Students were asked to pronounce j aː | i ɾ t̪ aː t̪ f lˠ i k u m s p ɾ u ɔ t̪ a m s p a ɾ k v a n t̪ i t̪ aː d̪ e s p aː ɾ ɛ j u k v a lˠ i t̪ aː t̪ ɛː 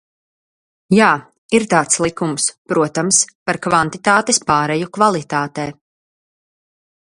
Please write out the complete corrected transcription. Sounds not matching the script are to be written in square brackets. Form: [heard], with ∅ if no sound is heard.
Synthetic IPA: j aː | i ɾ t̪ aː t̪ [s] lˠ i k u m s p ɾ u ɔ t̪ a m s p a ɾ k v a n t̪ i t̪ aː [t̪] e s p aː ɾ ɛ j u k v a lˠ i t̪ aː t̪ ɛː